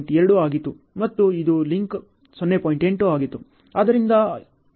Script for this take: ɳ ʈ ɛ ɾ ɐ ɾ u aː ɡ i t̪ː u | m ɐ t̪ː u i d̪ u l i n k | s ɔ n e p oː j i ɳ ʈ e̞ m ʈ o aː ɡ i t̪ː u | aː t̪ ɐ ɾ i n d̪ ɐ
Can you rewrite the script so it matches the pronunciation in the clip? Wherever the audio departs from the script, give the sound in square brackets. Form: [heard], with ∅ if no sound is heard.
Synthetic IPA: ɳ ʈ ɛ ɾ ɐ [ɽ] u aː ɡ i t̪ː u | m ɐ t̪ː u i d̪ u l i [ŋ] k | s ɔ [nː] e p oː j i ɳ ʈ e̞ [ɳ] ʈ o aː ɡ i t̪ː u | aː [d̪] ɐ ɾ i n d̪ ɐ